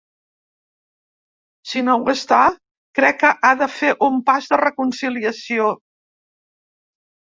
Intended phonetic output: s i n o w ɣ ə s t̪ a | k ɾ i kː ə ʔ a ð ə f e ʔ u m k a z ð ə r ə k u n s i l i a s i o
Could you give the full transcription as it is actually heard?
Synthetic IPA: s i n o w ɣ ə s t̪ a | k ɾ ɛ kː ə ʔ a ð ə f e ʔ u m p a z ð ə r ə k u n s i l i ə s i o